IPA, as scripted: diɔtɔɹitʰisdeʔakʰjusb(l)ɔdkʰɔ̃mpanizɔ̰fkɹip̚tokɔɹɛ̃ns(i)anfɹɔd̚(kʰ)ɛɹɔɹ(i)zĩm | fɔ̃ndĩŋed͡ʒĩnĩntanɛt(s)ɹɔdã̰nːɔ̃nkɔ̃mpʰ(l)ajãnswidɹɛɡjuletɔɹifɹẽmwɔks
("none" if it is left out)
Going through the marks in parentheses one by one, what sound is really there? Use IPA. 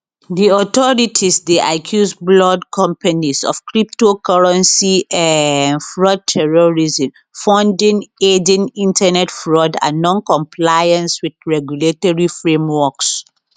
l, i, tʰ, i, f, l

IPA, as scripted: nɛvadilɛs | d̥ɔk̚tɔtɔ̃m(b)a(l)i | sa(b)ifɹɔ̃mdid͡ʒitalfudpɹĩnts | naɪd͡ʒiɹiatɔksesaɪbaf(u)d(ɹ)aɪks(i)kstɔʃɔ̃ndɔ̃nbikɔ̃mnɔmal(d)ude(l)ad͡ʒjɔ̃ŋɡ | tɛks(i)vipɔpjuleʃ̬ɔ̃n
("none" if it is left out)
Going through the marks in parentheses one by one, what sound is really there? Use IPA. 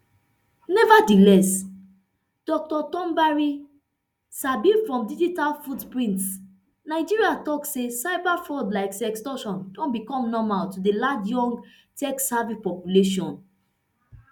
b, ɹ, b, ɔ, l, ɛ, t, l, a

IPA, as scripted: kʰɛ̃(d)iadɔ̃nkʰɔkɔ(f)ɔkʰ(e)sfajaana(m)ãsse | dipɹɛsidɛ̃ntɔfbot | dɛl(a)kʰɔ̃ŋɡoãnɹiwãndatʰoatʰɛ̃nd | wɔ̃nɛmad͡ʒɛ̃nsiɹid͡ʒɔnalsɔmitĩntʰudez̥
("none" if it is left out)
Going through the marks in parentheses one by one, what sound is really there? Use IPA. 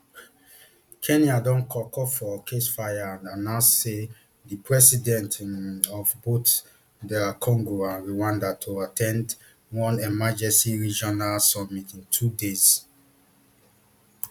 n, f, e, n, a

